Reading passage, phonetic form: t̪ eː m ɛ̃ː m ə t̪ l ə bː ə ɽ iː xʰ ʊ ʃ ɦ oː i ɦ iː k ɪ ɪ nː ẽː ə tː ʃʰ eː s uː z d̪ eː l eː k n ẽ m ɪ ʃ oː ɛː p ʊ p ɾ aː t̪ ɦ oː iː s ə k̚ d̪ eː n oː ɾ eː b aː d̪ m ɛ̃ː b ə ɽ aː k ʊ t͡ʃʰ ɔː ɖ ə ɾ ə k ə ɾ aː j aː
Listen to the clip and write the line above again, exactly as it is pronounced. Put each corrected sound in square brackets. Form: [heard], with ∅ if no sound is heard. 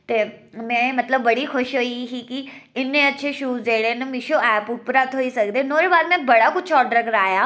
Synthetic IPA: t̪ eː m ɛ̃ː m ə t̪ l ə bː ə ɽ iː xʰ ʊ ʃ ɦ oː i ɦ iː k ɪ ɪ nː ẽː ə tː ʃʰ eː [ʃ] uː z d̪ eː [ɽ] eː [∅] n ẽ m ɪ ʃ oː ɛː p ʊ p ɾ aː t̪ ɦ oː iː s ə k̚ d̪ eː n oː ɾ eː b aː d̪ m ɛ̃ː b ə ɽ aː k ʊ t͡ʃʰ ɔː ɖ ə ɾ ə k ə ɾ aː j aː